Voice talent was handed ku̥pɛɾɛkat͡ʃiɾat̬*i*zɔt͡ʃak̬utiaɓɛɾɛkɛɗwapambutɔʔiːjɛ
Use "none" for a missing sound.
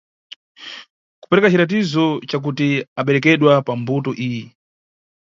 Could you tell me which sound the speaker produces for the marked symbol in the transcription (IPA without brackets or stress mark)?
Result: i